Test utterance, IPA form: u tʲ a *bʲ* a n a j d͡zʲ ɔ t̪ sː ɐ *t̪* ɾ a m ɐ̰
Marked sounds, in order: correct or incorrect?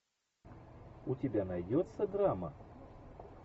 correct, incorrect: d̪

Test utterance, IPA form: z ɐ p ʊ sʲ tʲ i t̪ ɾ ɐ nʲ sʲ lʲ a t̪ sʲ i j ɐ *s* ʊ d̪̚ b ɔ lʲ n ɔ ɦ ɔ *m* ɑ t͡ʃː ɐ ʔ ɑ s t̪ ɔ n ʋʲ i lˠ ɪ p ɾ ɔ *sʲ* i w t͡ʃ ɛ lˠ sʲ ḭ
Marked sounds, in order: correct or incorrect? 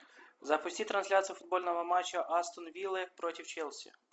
incorrect: f, correct, incorrect: tʲ

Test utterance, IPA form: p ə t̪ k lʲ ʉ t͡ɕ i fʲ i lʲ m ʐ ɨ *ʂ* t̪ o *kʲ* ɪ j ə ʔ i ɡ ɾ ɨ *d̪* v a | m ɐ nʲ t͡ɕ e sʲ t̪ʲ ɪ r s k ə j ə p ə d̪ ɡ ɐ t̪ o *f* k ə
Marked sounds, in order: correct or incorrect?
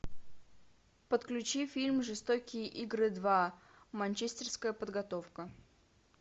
incorrect: s, correct, correct, correct

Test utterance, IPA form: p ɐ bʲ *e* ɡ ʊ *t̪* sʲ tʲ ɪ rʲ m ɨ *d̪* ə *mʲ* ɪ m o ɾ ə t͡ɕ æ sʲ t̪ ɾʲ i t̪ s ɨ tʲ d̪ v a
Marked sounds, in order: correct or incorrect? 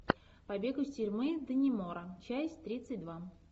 correct, incorrect: none, correct, incorrect: nʲ

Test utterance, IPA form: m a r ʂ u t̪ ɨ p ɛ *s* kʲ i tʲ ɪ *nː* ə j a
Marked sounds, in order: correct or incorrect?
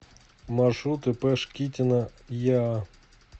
incorrect: ʂ, incorrect: n

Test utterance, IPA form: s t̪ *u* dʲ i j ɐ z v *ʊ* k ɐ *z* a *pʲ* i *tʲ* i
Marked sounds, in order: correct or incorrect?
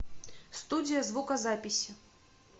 correct, incorrect: u, correct, correct, incorrect: sʲ

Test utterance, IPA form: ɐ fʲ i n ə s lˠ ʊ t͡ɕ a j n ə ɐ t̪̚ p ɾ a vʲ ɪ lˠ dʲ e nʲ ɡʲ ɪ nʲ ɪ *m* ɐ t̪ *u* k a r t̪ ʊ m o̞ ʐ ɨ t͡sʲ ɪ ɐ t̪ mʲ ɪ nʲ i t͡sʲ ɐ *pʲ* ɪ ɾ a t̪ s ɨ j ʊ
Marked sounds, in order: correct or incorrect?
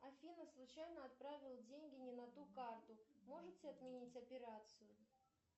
incorrect: n, correct, correct

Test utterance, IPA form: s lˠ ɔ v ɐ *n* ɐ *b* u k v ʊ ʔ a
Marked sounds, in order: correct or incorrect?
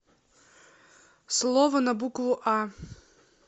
correct, correct

